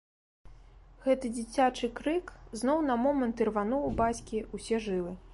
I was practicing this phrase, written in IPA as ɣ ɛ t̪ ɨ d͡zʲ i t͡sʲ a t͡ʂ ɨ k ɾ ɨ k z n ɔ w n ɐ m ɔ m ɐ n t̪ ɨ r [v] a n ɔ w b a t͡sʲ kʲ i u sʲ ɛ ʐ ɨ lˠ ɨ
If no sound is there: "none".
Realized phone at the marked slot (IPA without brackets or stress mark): v